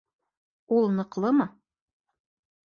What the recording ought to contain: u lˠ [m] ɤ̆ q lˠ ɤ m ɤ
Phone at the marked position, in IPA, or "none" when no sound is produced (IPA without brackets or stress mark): n